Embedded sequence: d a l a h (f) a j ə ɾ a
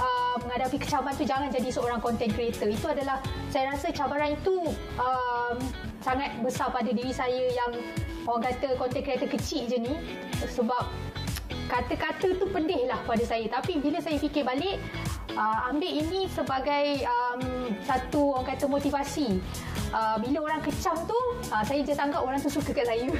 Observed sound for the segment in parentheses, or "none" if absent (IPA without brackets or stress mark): s